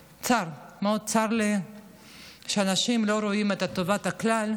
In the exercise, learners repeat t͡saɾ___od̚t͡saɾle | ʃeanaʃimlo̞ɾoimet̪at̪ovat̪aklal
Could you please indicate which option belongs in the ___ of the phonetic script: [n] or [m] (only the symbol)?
m